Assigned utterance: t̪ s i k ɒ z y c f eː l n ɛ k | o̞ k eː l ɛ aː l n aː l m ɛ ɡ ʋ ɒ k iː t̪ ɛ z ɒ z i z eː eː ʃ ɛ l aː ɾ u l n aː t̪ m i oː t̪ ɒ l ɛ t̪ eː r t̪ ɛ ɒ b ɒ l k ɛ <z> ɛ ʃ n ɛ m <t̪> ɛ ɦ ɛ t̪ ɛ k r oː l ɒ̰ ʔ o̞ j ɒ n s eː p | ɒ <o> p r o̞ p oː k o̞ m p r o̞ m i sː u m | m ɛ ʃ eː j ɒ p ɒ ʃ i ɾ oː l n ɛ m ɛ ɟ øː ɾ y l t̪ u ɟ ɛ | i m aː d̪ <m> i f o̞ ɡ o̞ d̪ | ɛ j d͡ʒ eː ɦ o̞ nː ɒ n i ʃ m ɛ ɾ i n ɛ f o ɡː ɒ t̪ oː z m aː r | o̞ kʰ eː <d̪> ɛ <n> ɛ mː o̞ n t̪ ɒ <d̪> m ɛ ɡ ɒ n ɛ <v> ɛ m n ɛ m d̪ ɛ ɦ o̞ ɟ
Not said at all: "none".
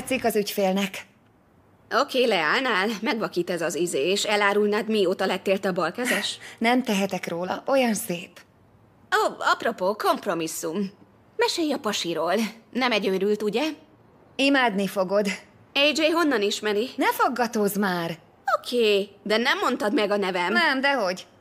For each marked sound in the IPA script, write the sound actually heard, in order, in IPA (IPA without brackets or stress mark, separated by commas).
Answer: z, t̪, ɒ, n, d̪, n, d̪, v